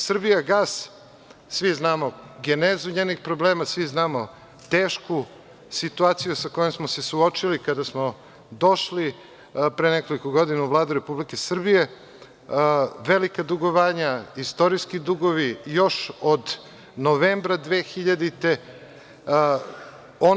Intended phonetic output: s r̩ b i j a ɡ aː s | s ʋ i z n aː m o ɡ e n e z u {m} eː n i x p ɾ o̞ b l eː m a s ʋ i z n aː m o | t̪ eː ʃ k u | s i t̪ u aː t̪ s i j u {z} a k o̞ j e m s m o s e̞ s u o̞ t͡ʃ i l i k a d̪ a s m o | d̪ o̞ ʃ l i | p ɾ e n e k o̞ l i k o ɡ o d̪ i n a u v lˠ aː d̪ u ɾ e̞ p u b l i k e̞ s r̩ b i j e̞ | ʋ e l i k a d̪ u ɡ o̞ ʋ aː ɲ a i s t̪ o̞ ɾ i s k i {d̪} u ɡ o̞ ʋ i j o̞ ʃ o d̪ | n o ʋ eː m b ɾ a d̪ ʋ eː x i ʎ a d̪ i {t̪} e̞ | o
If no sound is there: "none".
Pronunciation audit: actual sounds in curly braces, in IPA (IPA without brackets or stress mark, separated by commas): ɲ, s, d̪, t̪